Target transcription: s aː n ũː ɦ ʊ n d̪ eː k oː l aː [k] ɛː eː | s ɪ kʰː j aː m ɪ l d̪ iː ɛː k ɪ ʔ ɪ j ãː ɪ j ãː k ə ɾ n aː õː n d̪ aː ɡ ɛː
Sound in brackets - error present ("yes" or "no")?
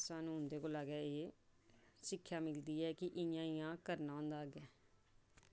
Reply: yes